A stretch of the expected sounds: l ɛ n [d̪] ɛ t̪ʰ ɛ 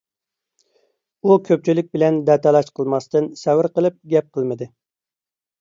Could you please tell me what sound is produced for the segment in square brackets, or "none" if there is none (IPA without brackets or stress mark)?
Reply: d̪